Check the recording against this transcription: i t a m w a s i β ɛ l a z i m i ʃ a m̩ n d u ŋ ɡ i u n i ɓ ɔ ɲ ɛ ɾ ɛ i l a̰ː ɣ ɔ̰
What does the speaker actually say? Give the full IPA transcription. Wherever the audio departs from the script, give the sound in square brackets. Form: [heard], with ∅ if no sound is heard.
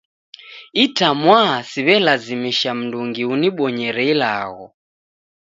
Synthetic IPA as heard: i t a m w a s i β ɛ l a z i m i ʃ a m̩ n d u ŋ ɡ i u n i ɓ ɔ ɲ ɛ ɾ ɛ i l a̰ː ɣ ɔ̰